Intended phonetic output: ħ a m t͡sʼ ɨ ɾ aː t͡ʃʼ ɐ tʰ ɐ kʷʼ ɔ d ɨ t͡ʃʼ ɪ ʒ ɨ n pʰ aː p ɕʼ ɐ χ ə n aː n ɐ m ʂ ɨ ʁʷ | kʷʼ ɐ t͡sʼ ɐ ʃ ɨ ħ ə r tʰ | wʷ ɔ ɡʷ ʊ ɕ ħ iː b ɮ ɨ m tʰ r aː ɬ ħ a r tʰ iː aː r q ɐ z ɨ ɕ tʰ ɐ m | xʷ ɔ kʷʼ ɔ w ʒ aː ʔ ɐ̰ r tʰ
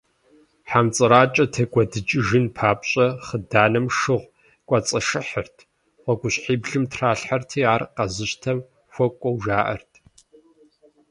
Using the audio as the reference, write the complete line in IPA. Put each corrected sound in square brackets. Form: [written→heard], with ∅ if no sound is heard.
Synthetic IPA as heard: ħ a m t͡sʼ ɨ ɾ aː t͡ʃʼ ɐ tʰ ɐ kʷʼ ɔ d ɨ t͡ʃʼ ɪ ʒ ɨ n pʰ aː p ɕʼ ɐ χ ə [n→d] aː n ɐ m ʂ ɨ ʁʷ | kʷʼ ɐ t͡sʼ ɐ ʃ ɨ ħ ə r tʰ | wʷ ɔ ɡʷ ʊ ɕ ħ iː b ɮ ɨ m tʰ r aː ɬ ħ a r tʰ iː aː r q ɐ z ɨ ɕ tʰ ɐ m | xʷ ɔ kʷʼ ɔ w ʒ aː ʔ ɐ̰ r tʰ